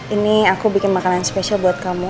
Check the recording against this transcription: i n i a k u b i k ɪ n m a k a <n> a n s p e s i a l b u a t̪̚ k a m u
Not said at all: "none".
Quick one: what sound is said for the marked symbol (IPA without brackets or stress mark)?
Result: n